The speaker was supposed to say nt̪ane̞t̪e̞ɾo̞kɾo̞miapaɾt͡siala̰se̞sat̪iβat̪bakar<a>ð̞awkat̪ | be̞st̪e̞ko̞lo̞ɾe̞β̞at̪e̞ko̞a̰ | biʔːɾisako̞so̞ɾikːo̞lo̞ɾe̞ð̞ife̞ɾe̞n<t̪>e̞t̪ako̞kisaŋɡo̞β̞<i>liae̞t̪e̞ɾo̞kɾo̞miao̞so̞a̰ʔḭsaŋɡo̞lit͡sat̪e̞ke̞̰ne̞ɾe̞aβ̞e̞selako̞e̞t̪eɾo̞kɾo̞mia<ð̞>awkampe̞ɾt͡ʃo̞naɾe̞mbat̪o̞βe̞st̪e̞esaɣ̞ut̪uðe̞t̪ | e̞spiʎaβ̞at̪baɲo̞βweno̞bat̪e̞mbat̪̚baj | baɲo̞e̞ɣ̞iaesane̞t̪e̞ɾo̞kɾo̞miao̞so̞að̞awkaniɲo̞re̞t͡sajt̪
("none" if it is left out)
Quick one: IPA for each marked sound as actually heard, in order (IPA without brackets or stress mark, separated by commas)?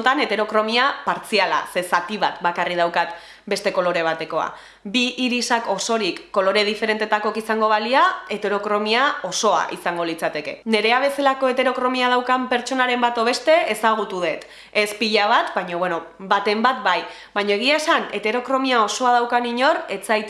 i, t̪, a, ð̞